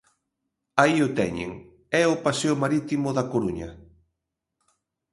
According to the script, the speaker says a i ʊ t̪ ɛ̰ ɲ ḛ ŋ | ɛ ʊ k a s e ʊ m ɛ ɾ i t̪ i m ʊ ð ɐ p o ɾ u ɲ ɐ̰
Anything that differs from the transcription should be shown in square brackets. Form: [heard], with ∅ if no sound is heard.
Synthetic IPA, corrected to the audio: a i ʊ t̪ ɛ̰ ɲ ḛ ŋ | ɛ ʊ [p] a s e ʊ m [a] ɾ i t̪ i m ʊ ð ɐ [k] o ɾ u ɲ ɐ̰